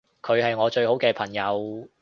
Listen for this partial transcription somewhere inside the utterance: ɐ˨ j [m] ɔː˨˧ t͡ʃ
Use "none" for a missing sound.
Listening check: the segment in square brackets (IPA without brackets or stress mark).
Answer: ŋ